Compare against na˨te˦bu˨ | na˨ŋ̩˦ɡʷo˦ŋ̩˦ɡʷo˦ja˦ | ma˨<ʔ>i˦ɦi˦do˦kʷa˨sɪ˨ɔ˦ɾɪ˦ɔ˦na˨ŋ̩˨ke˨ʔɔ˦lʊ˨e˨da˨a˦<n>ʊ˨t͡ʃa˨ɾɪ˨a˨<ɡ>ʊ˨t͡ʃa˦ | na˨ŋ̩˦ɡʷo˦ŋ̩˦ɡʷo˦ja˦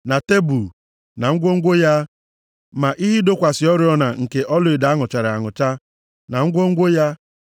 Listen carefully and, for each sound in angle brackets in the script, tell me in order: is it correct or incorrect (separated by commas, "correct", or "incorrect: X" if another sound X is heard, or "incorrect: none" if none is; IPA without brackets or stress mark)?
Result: correct, incorrect: ŋ, incorrect: ŋ